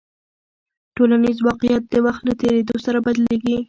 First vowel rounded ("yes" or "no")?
yes